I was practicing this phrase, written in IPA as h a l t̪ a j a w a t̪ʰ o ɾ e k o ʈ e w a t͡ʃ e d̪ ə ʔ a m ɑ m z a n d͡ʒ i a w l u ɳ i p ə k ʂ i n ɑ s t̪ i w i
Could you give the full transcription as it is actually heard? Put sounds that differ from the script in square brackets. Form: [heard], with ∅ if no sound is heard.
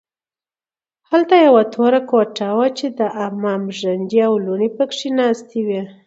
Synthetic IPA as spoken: h a l t̪ a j a w a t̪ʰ o ɾ [a] k o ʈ [a] w a t͡ʃ e d̪ ə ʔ a m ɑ m [ʒ] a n d͡ʒ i a w l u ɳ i p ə k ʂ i n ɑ s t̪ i w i

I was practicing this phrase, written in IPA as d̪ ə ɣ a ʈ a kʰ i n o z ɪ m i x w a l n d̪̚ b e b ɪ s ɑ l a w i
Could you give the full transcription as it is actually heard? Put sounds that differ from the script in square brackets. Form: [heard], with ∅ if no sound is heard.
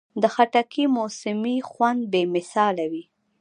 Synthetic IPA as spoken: d̪ ə [x] a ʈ a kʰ i [m] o [s] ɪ m i x w a [∅] n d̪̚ b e [m] ɪ s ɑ l a w i

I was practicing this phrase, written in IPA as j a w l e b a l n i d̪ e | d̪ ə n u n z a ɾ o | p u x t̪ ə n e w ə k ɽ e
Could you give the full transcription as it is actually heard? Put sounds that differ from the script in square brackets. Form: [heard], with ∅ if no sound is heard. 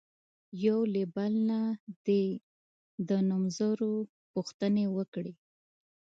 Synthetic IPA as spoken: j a w l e b a l n [a] d̪ e | d̪ ə n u [m] z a ɾ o | p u x t̪ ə n e w ə k ɽ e

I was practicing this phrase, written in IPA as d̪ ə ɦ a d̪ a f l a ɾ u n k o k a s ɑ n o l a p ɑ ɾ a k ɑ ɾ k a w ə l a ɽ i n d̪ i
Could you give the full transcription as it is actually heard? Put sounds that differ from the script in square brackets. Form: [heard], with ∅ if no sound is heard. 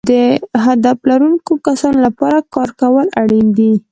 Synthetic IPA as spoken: d̪ ə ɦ a d̪ a f l a ɾ u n k o k a s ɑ n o l a p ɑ ɾ a k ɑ ɾ k a w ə l a ɽ i n d̪ i

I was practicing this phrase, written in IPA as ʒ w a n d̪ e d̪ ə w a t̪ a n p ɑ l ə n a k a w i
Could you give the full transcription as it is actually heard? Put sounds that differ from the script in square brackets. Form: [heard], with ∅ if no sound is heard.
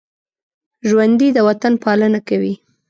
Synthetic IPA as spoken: ʒ w a n d̪ [i] d̪ ə w a t̪ a n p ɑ l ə n a k a w i

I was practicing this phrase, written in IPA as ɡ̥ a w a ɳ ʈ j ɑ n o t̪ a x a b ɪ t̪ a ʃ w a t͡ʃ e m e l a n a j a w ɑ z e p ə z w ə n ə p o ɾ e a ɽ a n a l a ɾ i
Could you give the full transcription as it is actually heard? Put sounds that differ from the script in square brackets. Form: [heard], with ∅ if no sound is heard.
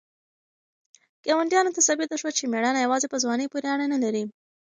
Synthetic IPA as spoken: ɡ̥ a w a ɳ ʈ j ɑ n o t̪ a [s] a b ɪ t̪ a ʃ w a t͡ʃ e m e [ɽ] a n a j a w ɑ z e p ə z w [ɑ] n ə p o ɾ e a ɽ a n a l a ɾ i

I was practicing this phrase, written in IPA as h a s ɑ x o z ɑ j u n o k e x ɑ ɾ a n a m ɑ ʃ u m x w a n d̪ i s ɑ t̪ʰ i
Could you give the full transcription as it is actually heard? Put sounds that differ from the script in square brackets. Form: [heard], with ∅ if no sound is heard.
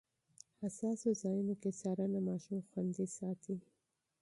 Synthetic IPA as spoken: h a s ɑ [s] o z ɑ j u n o k e [s] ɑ ɾ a n a m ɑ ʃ u m x w a n d̪ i s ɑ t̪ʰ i

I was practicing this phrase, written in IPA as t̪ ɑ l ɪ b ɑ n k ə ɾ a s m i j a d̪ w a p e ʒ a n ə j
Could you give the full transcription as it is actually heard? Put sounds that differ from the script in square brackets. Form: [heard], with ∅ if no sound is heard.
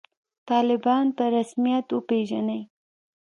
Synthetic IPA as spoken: t̪ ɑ l ɪ b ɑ n [p] ə ɾ a s m i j a [t̪] w [ə] p e ʒ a n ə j

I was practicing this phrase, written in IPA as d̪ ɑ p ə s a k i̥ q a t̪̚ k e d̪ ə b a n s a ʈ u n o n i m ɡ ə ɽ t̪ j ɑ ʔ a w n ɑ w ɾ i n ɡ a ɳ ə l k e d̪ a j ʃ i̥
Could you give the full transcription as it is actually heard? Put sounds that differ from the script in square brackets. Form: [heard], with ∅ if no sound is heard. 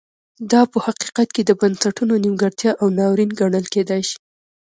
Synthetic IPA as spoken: d̪ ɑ p ə [h] a [q] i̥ q a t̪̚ k e d̪ ə b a n s a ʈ u n o n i m ɡ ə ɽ t̪ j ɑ ʔ a w n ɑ w ɾ i n ɡ a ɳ ə l k e d̪ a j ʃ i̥

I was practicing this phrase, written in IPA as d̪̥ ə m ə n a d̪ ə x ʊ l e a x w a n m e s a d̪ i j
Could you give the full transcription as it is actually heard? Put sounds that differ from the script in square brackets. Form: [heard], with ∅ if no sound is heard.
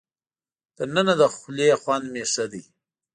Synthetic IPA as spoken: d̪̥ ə [n] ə n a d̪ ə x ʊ l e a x w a n m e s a d̪ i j

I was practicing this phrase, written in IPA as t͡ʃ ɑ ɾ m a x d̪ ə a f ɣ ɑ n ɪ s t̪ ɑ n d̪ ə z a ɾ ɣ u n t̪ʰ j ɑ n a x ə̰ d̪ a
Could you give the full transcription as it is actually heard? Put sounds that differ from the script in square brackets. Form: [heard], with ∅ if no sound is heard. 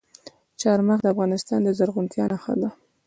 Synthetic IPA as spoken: t͡ʃ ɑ ɾ m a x d̪ ə a f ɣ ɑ n ɪ s t̪ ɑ n d̪ ə z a ɾ ɣ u n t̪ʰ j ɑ n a x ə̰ d̪ a

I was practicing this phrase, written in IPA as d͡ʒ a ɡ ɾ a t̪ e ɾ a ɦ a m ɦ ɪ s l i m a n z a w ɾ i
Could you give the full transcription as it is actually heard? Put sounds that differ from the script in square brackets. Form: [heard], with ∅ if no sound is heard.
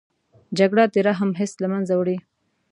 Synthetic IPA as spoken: d͡ʒ a ɡ [ɽ] a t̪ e ɾ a ɦ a m ɦ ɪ s l [a] m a n z a w [ɽ] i

